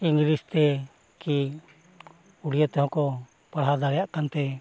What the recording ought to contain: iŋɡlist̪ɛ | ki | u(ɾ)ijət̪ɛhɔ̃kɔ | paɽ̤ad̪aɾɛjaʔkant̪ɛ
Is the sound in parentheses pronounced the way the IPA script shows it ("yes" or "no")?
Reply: no